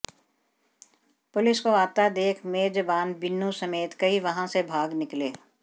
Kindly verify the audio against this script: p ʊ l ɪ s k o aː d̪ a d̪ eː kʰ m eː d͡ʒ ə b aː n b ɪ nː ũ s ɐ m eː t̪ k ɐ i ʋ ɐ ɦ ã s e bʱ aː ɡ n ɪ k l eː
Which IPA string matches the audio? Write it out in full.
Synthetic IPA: p ʊ l ɪ s k o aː t̪ a d̪ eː kʰ m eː d͡ʒ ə b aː n b ɪ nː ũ s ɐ m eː t̪ k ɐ i ʋ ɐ ɦ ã s e bʱ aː ɡ n ɪ k l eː